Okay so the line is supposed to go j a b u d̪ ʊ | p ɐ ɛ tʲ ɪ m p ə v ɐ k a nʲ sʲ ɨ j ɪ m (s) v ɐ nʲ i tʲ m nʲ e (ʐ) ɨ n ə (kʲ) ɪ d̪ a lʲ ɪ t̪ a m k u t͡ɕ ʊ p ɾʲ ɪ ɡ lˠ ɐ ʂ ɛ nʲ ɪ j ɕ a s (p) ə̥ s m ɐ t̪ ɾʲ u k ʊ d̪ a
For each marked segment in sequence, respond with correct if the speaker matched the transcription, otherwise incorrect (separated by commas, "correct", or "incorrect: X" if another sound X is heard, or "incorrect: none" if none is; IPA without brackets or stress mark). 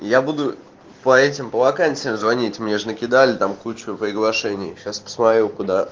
incorrect: z, correct, correct, correct